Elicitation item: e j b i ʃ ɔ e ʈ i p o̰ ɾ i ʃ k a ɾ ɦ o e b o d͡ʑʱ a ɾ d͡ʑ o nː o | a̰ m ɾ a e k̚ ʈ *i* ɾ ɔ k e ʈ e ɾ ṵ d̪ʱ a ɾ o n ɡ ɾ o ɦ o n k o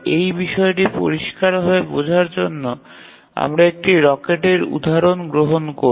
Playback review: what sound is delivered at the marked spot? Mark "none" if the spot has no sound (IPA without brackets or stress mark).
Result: i